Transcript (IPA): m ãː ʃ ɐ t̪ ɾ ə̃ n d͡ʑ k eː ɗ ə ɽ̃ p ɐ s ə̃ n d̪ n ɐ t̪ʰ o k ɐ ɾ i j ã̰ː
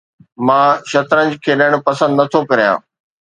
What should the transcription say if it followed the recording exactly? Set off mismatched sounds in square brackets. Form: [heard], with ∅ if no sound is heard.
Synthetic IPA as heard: m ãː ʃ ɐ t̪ ɾ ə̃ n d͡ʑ [kʰ] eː ɗ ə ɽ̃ p ɐ s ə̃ n d̪ n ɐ t̪ʰ o k ɐ ɾ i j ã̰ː